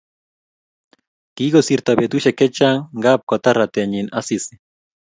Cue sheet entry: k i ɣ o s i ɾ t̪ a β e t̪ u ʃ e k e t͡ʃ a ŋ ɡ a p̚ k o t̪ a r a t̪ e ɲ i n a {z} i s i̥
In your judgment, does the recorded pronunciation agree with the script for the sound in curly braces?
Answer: no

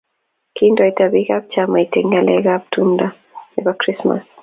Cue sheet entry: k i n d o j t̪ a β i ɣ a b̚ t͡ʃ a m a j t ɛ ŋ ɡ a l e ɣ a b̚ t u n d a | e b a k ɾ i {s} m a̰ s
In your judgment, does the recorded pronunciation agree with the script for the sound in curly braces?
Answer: yes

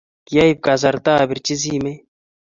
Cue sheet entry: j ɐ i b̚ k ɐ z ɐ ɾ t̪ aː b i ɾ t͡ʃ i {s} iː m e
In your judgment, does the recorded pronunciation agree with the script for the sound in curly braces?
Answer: no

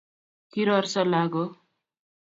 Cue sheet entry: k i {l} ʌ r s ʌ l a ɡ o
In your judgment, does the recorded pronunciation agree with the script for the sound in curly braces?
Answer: no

